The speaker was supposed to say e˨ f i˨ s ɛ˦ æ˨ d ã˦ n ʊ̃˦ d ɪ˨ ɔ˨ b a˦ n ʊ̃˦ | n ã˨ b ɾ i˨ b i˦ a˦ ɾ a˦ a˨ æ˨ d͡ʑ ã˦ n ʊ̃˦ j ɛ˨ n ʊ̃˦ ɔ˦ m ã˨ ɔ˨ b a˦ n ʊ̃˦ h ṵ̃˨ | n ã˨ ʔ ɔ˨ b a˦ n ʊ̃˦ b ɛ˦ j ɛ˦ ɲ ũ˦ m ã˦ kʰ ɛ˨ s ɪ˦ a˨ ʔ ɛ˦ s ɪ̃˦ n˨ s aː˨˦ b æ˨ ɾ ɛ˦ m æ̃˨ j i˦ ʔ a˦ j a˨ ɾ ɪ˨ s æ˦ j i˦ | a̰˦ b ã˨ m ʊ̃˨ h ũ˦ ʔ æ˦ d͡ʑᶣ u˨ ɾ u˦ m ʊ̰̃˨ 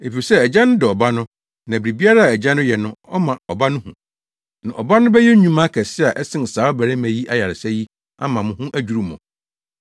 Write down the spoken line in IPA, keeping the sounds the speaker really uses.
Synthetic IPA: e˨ f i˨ s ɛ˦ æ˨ d͡ʑ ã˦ n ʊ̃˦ d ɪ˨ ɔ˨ b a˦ n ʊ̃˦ | n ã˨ b ɾ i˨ b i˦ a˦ ɾ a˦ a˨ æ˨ d͡ʑ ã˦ n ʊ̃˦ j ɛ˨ n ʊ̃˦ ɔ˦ m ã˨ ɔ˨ b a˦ n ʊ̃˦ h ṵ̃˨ | n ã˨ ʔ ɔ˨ b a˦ n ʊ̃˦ b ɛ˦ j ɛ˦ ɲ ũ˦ m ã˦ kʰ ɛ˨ s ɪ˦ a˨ ʔ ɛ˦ s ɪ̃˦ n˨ s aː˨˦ b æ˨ ɾ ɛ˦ m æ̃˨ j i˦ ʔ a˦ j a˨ ɾ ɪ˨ s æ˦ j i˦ | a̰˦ m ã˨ m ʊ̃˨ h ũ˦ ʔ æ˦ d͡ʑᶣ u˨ ɾ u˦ m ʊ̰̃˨